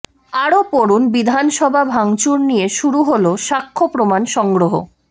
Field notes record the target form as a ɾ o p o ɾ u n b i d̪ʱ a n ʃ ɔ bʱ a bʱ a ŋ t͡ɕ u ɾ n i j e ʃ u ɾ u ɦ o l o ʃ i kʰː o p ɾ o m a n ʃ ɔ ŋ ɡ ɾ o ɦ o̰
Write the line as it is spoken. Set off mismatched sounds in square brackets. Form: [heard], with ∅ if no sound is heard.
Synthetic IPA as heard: a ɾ o p o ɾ u n b i d̪ʱ a n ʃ ɔ bʱ a bʱ a ŋ t͡ɕ u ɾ n i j e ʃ u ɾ u ɦ o l o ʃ [a] kʰː o p ɾ o m a n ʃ ɔ ŋ ɡ ɾ o ɦ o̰